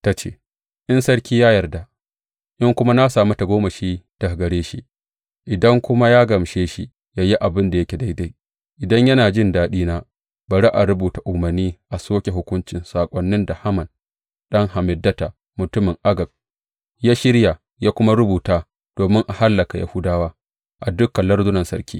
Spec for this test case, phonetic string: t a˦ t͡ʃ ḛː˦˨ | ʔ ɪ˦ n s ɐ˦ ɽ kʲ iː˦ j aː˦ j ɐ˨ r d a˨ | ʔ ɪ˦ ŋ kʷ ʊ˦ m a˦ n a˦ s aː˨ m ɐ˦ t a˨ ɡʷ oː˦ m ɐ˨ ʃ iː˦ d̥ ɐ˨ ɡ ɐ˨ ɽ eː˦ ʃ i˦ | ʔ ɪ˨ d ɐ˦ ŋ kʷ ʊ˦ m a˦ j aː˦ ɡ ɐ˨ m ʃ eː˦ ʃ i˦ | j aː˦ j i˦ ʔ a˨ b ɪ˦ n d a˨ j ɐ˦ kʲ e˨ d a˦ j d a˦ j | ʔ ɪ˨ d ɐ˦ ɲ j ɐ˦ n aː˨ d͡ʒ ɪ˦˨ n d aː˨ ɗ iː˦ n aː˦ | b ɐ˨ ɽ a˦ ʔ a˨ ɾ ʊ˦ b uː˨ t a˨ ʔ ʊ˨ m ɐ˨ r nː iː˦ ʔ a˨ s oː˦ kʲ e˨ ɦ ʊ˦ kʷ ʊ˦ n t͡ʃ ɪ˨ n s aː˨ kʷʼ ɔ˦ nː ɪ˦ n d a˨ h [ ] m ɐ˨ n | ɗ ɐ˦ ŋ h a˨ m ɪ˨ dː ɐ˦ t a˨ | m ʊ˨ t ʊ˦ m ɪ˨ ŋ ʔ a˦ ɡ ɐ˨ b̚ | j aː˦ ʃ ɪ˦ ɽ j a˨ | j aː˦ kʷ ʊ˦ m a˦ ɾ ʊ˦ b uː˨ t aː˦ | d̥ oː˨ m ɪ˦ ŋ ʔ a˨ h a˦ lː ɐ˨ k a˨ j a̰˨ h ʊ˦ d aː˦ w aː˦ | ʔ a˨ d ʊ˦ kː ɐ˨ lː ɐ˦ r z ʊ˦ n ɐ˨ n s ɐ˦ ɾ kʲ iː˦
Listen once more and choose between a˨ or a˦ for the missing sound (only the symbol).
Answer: a˦